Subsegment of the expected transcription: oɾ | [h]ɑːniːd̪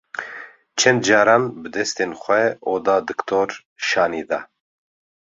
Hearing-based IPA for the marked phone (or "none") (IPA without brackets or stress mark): ʃ